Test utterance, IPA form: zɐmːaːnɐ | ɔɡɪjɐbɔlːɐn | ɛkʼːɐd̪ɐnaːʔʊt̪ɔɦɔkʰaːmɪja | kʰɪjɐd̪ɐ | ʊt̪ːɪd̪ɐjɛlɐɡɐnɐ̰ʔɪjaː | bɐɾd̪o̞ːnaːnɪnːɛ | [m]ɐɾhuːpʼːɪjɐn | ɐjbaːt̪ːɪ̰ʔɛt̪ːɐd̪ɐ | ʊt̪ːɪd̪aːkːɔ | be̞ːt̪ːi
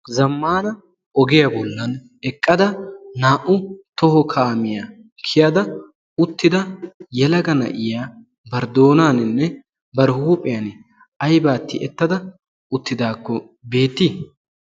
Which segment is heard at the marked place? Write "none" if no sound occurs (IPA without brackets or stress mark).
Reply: b